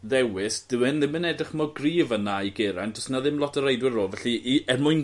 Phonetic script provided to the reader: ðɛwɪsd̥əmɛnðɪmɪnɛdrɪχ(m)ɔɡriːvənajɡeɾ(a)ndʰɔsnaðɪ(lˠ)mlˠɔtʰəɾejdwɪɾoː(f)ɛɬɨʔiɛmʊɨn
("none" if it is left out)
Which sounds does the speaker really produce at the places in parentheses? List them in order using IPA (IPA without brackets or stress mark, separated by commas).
m, a, none, v